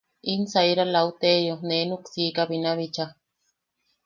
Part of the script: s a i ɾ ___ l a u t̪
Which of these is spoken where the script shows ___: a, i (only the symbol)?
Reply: a